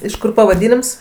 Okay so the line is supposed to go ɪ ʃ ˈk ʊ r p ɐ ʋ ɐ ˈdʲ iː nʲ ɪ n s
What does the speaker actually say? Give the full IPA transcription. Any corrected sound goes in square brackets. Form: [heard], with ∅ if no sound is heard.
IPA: ɪ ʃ ˈk ʊ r p ɐ ʋ ɐ ˈdʲ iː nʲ ɪ [m] s